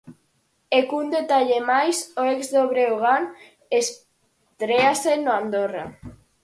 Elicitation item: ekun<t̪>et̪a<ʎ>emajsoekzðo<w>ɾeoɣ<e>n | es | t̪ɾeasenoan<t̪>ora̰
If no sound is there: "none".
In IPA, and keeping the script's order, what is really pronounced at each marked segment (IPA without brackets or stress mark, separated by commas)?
d̪, ʎ, β, a, d̪